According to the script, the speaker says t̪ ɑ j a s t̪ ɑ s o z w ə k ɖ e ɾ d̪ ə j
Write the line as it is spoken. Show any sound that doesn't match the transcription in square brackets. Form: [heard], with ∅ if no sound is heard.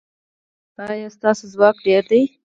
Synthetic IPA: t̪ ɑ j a s t̪ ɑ s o z w [ɑ] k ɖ e ɾ d̪ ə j